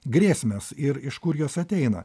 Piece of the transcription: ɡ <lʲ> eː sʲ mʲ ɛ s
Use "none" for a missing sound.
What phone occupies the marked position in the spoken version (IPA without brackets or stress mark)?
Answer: ɾʲ